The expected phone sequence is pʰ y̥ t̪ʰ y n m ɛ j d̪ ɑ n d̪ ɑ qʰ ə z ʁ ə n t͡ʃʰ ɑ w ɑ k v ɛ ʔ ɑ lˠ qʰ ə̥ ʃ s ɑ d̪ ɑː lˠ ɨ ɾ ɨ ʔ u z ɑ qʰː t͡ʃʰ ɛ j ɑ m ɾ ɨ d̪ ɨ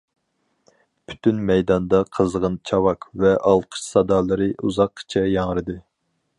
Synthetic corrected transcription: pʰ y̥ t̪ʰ y n m ɛ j d̪ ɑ n d̪ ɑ qʰ ə z ʁ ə n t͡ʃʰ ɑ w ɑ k v ɛ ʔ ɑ lˠ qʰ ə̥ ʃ s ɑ d̪ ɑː lˠ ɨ ɾ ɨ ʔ u z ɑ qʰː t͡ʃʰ ɛ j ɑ ŋ ɾ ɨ d̪ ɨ